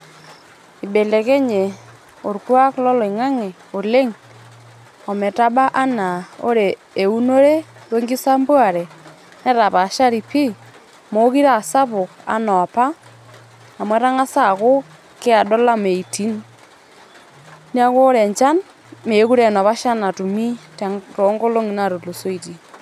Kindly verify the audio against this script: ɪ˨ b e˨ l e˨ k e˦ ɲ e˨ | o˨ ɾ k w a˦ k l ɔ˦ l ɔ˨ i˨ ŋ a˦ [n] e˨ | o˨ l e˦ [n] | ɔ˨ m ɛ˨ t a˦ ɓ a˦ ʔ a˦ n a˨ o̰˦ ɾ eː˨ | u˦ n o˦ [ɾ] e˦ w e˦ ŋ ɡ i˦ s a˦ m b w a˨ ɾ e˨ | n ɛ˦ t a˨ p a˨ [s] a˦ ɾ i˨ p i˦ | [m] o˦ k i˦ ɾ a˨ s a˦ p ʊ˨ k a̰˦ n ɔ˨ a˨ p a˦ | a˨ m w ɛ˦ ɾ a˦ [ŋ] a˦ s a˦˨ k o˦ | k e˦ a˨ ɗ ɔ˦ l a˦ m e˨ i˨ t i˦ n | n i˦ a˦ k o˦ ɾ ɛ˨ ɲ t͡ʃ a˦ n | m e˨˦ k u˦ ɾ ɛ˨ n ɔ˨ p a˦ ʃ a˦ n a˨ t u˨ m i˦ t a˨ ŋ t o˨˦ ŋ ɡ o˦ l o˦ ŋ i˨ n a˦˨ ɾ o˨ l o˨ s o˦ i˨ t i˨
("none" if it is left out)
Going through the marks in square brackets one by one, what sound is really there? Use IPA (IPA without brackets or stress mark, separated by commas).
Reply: ŋ, ŋ, ɾ, ʃ, m, ŋ